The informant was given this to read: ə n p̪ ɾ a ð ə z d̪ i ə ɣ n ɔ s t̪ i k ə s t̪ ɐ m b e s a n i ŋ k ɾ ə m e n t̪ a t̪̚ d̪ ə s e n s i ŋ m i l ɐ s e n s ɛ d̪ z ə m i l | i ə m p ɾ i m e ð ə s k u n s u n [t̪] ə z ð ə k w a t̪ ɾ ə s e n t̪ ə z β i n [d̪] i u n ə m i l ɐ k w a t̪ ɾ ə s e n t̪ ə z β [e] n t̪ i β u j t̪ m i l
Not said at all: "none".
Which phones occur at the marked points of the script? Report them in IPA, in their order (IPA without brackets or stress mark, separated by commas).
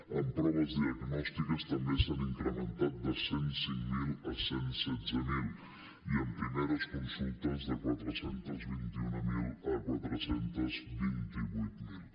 t̪, t̪, i